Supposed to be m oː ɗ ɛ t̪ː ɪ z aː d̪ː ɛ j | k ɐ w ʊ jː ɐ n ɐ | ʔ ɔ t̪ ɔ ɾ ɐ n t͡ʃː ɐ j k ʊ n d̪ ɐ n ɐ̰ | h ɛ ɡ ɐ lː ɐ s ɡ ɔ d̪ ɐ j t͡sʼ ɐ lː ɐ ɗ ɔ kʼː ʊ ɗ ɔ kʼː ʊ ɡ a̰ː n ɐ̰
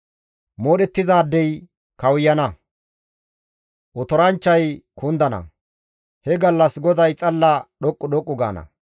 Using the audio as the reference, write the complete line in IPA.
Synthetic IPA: m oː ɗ ɛ t̪ː ɪ z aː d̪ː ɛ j | k ɐ w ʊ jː ɐ n ɐ | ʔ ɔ t̪ ɔ ɾ ɐ n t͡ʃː ɐ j k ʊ n d̪ ɐ n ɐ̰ | h ɛ ɡ ɐ lː ɐ s ɡ ɔ d̪ ɐ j t͡sʼ ɐ lː ɐ ɗ ɔ kʼː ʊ ɗ ɔ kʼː ʊ ɡ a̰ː n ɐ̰